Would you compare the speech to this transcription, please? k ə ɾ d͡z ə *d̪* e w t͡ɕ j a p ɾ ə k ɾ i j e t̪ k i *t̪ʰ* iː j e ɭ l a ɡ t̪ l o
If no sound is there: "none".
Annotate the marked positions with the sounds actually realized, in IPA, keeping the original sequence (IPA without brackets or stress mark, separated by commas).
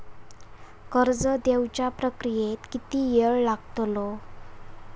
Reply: d̪, t̪